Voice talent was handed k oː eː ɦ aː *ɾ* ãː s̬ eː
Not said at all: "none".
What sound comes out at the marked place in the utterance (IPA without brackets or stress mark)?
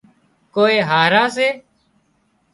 ɾ